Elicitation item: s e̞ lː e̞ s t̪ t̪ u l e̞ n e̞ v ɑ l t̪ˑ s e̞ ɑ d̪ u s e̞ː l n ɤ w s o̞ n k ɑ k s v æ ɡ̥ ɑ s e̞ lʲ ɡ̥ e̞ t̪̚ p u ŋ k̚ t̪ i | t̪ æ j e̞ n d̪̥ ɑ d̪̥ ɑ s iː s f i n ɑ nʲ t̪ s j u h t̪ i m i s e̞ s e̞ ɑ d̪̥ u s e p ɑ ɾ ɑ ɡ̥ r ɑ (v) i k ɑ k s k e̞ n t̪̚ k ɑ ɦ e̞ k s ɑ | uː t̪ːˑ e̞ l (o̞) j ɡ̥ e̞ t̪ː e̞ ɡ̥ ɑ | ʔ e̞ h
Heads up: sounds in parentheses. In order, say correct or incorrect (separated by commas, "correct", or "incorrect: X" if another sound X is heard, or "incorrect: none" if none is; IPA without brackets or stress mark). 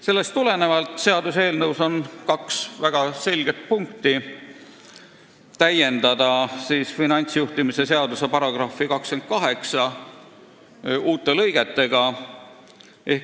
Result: incorrect: f, incorrect: ɤ̞